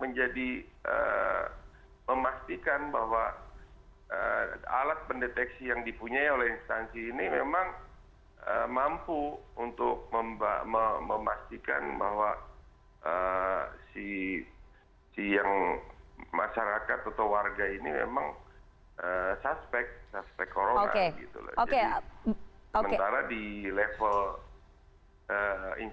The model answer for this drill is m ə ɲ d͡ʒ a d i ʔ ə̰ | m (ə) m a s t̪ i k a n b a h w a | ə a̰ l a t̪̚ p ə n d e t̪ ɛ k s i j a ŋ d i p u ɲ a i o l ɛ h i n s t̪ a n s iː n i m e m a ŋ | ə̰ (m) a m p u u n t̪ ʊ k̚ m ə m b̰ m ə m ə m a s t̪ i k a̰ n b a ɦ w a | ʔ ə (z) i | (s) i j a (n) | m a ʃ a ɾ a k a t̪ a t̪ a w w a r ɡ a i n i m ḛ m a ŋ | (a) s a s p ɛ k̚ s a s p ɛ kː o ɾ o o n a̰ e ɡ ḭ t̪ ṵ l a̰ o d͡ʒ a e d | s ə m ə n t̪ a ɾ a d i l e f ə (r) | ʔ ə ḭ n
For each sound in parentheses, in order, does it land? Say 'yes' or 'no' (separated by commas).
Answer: yes, yes, no, yes, no, no, no